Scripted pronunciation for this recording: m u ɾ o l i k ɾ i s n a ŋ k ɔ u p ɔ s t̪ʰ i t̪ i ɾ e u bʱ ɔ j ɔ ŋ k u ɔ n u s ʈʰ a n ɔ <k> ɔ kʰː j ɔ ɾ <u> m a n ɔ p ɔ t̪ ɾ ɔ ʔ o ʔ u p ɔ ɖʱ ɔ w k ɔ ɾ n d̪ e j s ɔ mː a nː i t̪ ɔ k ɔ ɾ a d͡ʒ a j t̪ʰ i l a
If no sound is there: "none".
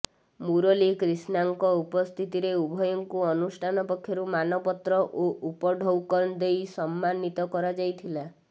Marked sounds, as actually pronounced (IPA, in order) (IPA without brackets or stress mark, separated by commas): p, u